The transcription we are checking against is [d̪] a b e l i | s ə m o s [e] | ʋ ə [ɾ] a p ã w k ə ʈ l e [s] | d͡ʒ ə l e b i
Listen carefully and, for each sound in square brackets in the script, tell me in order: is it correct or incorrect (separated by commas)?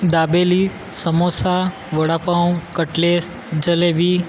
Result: correct, incorrect, incorrect, correct